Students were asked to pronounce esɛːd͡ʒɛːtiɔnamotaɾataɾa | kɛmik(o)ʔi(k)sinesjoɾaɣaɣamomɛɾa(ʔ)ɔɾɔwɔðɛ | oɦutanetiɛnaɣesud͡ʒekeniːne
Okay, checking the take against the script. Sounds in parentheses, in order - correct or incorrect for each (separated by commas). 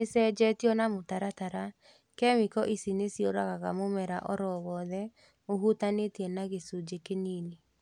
incorrect, incorrect, correct